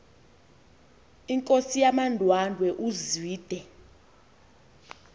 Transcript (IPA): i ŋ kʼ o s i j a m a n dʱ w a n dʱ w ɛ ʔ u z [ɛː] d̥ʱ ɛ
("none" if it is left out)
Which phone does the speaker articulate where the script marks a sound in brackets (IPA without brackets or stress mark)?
iː